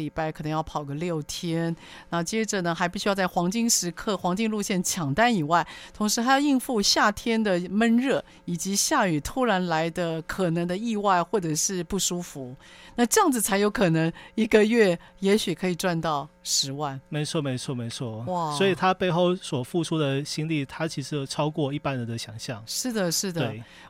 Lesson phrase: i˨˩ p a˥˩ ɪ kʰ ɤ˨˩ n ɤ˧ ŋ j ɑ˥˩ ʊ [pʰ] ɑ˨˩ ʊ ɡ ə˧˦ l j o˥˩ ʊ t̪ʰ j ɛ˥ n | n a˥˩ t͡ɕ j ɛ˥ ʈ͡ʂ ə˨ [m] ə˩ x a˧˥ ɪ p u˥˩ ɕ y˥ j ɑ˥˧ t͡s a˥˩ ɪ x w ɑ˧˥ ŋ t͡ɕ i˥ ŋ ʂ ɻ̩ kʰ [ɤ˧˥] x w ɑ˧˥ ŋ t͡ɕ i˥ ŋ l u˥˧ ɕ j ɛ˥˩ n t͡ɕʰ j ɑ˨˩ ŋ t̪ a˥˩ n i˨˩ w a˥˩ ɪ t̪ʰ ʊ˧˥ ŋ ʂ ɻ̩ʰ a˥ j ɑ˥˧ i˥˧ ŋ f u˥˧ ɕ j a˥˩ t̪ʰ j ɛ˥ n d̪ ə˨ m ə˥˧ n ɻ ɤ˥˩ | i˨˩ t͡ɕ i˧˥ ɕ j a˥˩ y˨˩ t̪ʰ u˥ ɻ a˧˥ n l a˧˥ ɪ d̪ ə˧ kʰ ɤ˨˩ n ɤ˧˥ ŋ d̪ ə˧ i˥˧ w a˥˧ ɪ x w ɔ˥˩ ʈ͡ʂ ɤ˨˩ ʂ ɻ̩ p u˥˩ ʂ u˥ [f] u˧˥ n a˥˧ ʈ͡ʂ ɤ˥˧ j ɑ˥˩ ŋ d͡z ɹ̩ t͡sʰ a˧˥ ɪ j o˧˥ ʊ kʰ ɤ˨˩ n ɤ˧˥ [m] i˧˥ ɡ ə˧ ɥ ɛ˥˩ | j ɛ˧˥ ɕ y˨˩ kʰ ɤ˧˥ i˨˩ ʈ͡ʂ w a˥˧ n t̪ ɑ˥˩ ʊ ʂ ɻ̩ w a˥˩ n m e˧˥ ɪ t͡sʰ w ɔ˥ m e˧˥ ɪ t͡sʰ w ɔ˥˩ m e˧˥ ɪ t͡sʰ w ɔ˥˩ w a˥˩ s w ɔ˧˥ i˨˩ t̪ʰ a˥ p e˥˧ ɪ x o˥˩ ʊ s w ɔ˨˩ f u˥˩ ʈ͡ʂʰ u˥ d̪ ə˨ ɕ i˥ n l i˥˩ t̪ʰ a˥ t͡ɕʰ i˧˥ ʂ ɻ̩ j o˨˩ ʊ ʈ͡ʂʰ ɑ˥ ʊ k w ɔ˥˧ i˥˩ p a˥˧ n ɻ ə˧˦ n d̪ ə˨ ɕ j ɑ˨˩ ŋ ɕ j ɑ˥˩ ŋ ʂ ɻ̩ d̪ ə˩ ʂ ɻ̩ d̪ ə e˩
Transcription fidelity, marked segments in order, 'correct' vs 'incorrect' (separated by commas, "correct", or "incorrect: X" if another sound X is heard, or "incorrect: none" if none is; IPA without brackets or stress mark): correct, incorrect: n, incorrect: ɤ˥˩, correct, incorrect: ŋ